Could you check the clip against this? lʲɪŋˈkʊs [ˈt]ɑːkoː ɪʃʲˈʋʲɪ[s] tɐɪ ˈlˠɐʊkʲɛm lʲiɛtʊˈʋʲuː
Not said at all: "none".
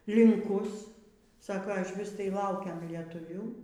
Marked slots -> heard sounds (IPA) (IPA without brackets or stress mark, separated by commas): s, s